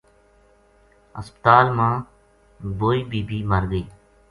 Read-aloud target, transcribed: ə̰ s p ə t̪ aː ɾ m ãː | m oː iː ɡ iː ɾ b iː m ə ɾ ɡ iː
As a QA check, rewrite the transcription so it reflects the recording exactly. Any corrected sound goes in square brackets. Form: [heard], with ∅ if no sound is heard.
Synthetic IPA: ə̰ s p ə t̪ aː [l] m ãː | [b] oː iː [b] iː [∅] b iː m ə ɾ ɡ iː